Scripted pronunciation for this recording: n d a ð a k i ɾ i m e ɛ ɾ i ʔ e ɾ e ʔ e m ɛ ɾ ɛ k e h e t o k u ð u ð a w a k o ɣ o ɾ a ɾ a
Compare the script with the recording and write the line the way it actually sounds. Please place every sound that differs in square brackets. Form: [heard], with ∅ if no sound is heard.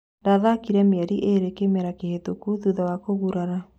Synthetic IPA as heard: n d a ð a k i ɾ [ɛ] m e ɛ ɾ i ʔ e ɾ e [k] e m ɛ ɾ [a] k e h e t o k u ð u ð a w a k o ɣ [u] ɾ a ɾ a

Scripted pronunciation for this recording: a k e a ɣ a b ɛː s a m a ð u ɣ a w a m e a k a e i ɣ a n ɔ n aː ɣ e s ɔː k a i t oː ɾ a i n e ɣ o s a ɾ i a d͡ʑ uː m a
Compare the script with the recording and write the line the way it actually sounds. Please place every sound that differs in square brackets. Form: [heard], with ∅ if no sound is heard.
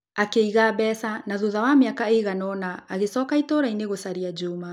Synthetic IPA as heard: a k e [i] ɣ a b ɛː s a [n] a ð u [ð] a w a m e a k a e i ɣ a n ɔ n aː ɣ e s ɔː k a i t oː ɾ a i n e ɣ o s a ɾ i a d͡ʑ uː m a

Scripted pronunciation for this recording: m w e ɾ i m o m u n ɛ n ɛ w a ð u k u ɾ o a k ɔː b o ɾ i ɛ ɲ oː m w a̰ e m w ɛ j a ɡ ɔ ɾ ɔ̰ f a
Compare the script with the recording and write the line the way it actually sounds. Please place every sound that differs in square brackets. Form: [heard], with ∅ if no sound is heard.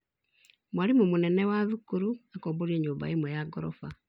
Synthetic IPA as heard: m w [a] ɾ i m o m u n ɛ n ɛ w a ð u k u ɾ [u] a k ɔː b o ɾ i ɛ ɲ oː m [b] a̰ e m w ɛ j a ɡ ɔ ɾ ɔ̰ f a

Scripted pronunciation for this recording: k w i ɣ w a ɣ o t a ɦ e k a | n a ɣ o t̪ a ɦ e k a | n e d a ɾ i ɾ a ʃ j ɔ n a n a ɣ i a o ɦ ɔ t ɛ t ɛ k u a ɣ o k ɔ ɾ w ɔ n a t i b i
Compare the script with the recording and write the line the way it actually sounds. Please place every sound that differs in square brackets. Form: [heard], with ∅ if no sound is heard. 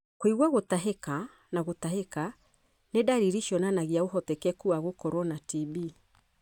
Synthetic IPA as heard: k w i ɣ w a ɣ o t a ɦ e k a | n a ɣ o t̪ a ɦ e k a | n e d a ɾ i ɾ [i] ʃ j ɔ n a n a ɣ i a o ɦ ɔ t ɛ [k] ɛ k u a ɣ o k ɔ ɾ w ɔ n a t i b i

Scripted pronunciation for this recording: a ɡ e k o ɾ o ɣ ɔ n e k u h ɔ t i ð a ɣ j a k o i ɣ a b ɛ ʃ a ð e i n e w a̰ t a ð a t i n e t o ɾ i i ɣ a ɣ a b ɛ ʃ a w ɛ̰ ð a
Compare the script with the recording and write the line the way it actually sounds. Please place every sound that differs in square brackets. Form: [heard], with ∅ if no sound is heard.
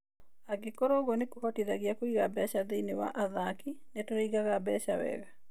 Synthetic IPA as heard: a ɡ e k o ɾ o ɣ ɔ n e k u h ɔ t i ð a ɣ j a k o i ɣ a b ɛ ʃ a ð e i n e w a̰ [ʔ] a ð a [k] i n e t o ɾ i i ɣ a ɣ a b ɛ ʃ a w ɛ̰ [ɣ] a

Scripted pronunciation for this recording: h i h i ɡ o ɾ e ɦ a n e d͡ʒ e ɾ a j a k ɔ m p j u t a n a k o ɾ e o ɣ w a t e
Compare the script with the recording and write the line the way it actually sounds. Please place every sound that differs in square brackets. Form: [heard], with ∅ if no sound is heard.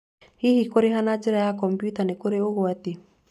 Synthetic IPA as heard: h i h i [k] o ɾ e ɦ a n [a] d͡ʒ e ɾ a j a k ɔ m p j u t a n [e] k o ɾ e o ɣ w a t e

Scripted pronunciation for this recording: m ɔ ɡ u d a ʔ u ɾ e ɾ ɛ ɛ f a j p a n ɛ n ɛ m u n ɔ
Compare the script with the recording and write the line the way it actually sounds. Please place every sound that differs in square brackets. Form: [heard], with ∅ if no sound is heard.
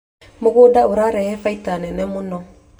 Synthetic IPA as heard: m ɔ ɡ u d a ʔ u ɾ [a] ɾ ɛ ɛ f a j [t] a n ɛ n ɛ m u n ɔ

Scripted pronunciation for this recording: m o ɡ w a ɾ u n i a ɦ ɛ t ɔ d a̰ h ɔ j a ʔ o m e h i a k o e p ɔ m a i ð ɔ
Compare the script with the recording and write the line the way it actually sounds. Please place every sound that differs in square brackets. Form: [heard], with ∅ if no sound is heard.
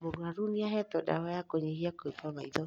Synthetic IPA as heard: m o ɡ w a ɾ u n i a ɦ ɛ t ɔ d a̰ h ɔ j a [k] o [ɲ] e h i a k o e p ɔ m a i ð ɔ

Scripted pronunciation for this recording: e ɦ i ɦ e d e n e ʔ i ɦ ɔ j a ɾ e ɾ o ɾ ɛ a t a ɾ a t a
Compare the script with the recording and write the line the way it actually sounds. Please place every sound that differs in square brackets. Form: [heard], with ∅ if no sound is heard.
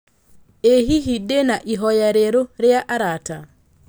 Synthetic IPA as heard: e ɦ i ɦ [i] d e n [a] ʔ i ɦ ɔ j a ɾ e ɾ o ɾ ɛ a [ʔ] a ɾ a t a

